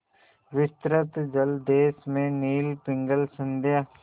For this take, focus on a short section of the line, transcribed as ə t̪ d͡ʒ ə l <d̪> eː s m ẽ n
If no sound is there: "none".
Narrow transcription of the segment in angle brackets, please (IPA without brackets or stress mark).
d̪